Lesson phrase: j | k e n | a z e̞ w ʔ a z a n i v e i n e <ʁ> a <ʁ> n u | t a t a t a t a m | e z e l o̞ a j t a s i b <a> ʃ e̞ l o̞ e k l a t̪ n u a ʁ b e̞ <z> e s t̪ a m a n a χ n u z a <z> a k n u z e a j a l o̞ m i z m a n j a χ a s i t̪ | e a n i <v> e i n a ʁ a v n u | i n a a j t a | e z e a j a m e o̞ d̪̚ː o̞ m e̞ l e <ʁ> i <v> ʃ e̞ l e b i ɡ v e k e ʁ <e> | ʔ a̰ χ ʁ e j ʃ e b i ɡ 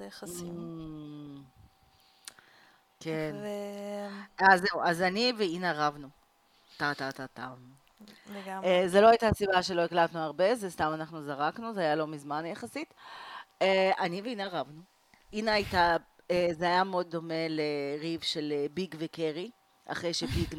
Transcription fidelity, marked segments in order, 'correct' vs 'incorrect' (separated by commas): correct, incorrect, correct, correct, incorrect, correct, correct, correct, incorrect